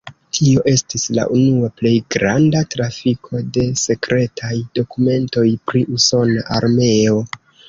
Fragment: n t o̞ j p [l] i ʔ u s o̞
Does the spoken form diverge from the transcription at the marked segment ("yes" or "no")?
yes